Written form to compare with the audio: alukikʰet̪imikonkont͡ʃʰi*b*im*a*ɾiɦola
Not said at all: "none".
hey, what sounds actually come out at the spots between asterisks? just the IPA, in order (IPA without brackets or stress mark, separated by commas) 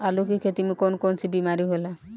b, a